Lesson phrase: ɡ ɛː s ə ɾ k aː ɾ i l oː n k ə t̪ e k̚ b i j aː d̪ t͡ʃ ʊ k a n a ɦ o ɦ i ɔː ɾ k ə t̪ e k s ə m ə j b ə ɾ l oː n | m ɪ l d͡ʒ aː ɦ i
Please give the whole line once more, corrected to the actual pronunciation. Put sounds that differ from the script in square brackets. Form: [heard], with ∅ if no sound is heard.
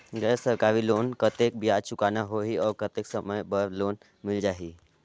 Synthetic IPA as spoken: ɡ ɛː s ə ɾ k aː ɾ i l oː n k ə t̪ e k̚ b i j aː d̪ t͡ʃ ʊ k a n a ɦ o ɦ i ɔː ɾ k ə t̪ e k s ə m ə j b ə ɾ l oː n | m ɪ l d͡ʒ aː ɦ i